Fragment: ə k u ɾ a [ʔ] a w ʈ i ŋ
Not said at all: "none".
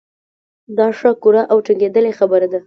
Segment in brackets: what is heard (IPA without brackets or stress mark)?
ʔ